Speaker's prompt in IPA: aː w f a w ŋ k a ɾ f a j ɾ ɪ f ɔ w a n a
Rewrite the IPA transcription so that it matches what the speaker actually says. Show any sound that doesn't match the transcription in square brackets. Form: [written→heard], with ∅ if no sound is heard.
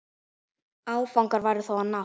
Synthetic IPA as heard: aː w f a w ŋ k a ɾ [f→v] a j ɾ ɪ [f→θ] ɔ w a n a